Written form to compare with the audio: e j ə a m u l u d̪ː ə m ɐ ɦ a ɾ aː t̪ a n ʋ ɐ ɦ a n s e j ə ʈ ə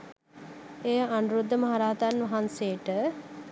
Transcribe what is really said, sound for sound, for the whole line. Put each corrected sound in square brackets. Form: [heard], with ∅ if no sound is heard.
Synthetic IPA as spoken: e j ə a [n] u [ɾ] u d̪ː ə m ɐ ɦ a ɾ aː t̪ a n ʋ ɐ ɦ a n s e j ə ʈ ə